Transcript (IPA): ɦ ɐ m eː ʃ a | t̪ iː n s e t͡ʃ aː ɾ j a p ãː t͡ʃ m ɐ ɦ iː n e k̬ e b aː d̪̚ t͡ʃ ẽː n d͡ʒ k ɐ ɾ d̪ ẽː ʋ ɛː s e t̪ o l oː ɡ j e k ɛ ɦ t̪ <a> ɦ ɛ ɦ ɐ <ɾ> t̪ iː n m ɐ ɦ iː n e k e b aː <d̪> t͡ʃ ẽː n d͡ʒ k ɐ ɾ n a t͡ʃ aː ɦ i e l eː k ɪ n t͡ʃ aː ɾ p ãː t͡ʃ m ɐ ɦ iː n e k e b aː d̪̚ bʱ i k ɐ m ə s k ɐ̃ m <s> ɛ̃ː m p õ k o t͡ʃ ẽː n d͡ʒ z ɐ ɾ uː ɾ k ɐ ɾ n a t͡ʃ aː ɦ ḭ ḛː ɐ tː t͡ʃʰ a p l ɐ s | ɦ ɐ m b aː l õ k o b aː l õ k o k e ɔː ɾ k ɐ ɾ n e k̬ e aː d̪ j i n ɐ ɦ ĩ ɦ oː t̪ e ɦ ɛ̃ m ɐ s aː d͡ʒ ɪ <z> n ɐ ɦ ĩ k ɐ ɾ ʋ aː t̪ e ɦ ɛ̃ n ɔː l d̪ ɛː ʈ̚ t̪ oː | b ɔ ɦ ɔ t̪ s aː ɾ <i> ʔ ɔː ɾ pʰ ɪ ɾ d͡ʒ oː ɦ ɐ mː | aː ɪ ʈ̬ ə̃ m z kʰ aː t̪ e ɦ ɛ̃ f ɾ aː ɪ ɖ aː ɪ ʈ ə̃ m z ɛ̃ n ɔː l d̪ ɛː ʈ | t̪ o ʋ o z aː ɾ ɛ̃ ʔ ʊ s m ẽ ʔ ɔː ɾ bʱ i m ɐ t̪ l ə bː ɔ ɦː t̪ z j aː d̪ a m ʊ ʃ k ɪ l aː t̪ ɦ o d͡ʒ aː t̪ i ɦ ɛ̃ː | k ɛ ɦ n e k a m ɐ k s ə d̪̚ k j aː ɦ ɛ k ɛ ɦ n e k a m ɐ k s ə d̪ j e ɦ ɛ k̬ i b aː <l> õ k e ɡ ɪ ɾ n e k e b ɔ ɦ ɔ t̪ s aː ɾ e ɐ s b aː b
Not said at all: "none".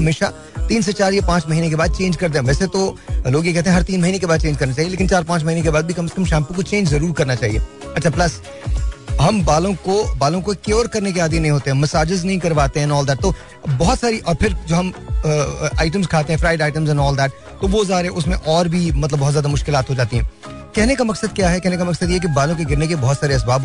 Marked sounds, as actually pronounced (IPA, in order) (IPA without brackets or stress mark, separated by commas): e, ɾ, d̪, ʃ, z, i, l